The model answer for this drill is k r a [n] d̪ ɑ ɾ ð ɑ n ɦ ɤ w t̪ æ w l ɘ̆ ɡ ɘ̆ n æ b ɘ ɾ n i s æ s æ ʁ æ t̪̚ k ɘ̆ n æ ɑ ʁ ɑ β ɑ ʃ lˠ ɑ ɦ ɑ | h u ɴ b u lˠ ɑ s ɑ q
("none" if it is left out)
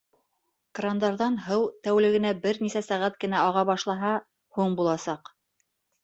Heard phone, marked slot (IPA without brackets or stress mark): n